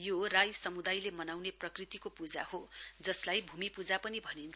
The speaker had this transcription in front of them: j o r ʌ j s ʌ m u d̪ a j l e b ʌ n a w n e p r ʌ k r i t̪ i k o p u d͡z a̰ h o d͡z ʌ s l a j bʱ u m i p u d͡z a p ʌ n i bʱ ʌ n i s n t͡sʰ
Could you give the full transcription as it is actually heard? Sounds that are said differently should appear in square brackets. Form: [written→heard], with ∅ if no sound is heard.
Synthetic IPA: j o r [ʌ→a] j s ʌ m u d̪ a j l e [b→m] ʌ n a w n e p r ʌ k r i t̪ i k o p u d͡z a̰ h o d͡z ʌ s l a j bʱ u m i p u d͡z a p ʌ n i bʱ ʌ n i [s→∅] n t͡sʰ